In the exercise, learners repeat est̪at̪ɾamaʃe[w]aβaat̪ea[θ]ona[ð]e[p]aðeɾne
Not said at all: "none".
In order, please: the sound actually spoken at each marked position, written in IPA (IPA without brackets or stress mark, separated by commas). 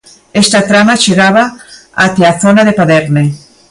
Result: ɣ, θ, ð, p